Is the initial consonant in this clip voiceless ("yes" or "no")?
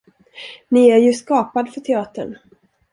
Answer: no